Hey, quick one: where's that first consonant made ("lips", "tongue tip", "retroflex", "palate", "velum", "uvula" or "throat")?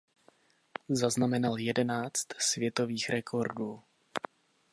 tongue tip